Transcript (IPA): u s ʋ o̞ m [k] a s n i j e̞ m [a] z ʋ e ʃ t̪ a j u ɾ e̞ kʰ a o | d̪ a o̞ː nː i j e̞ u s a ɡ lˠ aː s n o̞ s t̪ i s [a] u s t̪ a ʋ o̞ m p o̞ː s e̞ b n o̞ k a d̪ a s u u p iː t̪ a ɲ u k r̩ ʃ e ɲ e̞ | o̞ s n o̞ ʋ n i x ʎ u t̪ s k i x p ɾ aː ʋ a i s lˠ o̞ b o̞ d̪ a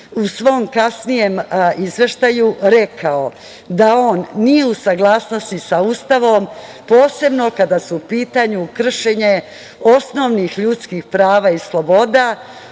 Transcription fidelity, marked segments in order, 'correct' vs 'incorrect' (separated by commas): correct, incorrect, correct